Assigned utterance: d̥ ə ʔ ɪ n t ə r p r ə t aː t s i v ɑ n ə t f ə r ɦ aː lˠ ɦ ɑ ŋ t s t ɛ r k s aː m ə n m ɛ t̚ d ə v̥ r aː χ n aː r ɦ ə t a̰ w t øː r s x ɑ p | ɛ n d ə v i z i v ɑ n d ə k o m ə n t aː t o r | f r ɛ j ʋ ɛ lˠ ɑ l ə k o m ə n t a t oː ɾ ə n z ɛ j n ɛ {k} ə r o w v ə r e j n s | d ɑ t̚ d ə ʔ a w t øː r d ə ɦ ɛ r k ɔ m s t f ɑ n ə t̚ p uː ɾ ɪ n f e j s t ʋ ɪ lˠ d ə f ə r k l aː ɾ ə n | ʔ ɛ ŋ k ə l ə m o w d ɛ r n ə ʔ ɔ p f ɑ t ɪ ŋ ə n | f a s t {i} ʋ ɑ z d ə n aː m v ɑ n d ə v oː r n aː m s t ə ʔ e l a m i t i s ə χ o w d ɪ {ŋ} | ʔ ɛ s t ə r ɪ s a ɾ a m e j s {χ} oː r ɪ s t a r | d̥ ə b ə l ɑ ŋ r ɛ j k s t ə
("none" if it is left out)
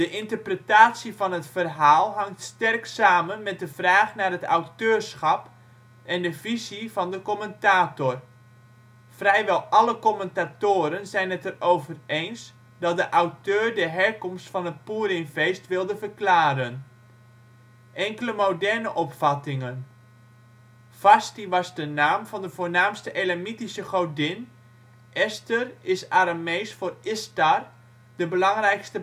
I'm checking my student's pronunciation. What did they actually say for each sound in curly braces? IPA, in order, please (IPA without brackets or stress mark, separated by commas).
t, i, n, f